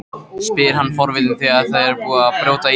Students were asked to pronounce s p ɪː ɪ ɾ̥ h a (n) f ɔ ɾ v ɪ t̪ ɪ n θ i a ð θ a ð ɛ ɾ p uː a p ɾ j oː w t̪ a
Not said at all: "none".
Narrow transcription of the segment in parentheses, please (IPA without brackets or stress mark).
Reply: nː